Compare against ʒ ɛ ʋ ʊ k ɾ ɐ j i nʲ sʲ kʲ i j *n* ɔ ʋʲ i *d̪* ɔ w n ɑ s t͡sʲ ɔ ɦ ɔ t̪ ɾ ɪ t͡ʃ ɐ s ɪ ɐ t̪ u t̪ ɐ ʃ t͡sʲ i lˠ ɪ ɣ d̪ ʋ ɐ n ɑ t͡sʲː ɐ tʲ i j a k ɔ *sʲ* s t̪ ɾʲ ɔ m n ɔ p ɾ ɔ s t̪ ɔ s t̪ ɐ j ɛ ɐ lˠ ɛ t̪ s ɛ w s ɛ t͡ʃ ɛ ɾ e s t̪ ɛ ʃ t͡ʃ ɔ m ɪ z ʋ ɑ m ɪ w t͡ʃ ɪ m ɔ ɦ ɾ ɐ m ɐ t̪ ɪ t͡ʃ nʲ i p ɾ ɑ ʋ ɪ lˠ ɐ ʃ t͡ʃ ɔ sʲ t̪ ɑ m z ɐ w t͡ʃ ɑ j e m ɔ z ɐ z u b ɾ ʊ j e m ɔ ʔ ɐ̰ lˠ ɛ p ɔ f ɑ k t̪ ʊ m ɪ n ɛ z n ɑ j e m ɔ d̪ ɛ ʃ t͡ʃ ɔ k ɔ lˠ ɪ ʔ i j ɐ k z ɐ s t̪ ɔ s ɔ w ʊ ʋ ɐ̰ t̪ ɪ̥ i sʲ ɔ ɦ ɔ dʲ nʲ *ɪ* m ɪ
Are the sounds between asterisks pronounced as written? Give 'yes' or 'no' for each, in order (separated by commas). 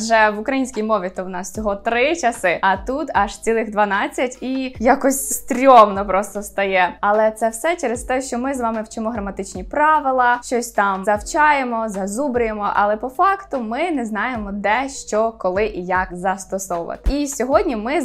no, no, yes, no